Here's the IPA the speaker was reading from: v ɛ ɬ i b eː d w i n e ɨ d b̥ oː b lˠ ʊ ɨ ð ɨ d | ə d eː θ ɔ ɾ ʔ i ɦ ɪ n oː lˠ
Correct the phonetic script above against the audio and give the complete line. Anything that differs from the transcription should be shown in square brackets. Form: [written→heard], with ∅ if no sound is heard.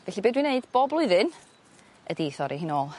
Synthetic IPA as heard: v ɛ ɬ i b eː d w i n e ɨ d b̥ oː b lˠ ʊ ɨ ð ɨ [d→n] | ə d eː θ ɔ ɾ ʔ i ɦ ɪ n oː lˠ

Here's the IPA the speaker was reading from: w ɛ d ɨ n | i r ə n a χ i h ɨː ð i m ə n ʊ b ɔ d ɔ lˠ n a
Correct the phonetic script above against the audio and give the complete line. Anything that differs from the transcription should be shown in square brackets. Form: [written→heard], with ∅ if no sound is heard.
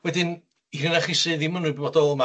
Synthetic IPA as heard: w ɛ d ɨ n | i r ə n a χ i [h→s] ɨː ð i m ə n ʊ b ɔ d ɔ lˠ [n→m] a

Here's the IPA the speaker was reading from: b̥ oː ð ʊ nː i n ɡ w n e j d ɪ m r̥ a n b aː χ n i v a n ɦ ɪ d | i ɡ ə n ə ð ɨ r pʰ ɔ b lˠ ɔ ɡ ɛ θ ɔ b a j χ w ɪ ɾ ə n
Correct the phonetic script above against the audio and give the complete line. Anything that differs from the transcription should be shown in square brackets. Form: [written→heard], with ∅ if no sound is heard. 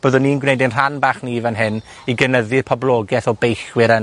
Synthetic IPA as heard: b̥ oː ð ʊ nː i n ɡ w n e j d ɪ [m→n] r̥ a n b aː χ n i v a n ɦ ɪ [d→n] | i ɡ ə n ə ð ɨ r pʰ ɔ b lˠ ɔ ɡ ɛ θ ɔ b [a→e] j χ w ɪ ɾ ə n

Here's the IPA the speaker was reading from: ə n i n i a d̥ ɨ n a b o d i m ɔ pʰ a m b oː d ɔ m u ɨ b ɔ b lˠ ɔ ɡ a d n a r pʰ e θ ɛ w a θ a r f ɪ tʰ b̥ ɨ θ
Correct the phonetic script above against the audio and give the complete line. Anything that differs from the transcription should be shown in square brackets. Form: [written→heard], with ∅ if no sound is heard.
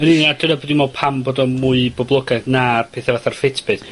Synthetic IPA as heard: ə n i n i a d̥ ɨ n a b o d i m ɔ pʰ a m b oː d ɔ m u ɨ b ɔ b lˠ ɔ ɡ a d n a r pʰ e θ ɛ [w→v] a θ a r f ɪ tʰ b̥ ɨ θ

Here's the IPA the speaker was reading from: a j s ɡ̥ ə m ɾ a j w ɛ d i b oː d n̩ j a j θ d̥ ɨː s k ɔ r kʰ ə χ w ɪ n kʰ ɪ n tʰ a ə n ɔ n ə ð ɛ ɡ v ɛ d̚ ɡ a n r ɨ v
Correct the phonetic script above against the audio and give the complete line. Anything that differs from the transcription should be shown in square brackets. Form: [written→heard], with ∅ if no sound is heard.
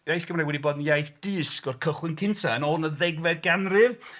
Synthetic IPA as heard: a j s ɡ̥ ə m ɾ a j w ɛ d i b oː d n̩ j a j θ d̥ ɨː s k ɔ r kʰ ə χ w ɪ n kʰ ɪ n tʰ a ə n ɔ n ə ð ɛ ɡ v ɛ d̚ ɡ a n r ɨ v

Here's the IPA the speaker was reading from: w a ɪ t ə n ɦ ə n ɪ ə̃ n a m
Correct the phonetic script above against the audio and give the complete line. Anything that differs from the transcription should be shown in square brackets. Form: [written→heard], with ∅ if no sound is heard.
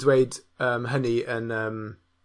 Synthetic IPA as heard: w [a→e] ɪ [t→d] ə [n→m] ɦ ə n [ɪ→i] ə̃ n [a→ə] m

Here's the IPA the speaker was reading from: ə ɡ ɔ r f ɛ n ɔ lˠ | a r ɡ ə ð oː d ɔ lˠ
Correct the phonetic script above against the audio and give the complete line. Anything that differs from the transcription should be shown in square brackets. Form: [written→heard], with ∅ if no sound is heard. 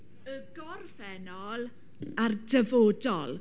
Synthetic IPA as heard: ə ɡ ɔ r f ɛ n ɔ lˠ | a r [ɡ→d] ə [ð→v] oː d ɔ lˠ

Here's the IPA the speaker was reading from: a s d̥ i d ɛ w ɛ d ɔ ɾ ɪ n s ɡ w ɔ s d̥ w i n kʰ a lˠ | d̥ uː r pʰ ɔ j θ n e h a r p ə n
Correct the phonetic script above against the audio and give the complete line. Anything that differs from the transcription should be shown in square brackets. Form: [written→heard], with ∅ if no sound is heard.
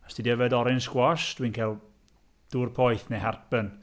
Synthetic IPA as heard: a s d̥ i d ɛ [w→v] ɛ d ɔ ɾ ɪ n s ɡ w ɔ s d̥ w i n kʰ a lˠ | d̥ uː r pʰ ɔ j θ n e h a r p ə n

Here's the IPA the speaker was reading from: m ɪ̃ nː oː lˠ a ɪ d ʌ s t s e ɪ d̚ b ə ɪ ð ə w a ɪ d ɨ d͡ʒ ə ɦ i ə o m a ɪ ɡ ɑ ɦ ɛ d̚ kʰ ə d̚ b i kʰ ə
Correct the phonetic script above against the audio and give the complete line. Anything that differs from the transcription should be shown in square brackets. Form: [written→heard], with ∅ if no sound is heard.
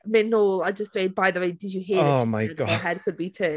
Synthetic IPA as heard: m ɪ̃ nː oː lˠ a ɪ [d→d͡ʒ] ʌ s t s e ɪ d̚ b [ə→a] ɪ ð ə w [a→e] ɪ d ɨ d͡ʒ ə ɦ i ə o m a ɪ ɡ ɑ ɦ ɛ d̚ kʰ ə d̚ b i [kʰ→tʰ] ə

